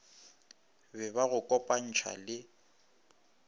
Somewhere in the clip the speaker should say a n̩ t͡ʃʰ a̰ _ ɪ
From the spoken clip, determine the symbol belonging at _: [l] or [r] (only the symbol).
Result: l